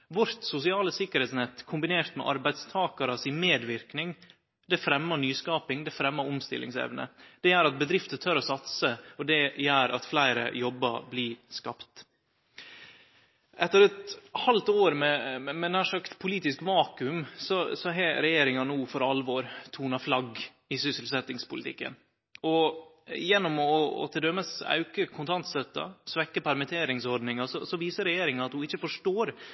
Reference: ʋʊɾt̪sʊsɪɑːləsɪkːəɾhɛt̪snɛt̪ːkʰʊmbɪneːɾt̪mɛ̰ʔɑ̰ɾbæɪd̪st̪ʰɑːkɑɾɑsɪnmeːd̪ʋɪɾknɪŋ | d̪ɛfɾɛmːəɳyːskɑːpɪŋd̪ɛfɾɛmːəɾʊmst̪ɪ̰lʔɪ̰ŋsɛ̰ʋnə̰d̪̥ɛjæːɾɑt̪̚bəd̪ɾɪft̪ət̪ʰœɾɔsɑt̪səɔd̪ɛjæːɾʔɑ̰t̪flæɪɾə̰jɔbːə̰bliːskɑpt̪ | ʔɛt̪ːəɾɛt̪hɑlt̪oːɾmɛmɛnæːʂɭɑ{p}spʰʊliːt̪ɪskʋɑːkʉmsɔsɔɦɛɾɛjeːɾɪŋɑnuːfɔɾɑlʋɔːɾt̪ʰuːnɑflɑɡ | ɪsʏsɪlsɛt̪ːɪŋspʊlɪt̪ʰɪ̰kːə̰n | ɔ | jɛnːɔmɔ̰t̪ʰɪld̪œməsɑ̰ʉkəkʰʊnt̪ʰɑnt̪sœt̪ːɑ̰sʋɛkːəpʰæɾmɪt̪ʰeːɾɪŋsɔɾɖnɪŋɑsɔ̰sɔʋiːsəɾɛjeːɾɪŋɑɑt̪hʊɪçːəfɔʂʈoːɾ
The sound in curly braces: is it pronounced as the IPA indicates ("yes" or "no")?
no